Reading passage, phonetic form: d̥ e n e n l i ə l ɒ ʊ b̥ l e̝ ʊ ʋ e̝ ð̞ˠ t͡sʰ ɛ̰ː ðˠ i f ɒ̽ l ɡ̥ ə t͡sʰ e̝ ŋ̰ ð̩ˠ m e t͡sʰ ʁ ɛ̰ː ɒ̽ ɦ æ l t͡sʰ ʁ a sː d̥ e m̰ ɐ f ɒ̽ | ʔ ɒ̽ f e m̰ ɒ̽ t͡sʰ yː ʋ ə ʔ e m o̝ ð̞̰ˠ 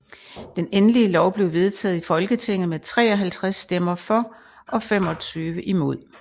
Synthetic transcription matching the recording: d̥ e n e n l i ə l ɒ ʊ b̥ l e̝ ʊ ʋ e̝ ð̞ˠ t͡sʰ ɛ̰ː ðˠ i f ɒ̽ l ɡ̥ ə t͡sʰ e̝ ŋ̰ ð̩ˠ m e t͡sʰ ʁ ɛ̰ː ɒ̽ ɦ æ l t͡sʰ ʁ a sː d̥ e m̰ ɐ f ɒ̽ | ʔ ɒ̽ f e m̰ ɒ̽ t͡sʰ yː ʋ ə ʔ i m o̝ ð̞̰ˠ